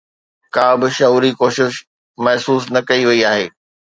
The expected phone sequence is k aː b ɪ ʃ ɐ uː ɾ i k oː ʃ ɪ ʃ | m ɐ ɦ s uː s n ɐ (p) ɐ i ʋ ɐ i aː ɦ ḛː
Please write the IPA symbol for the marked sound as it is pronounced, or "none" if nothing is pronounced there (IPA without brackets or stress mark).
k